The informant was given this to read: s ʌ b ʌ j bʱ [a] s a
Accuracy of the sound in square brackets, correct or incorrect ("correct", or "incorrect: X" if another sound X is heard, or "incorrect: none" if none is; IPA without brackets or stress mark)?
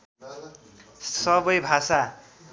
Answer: correct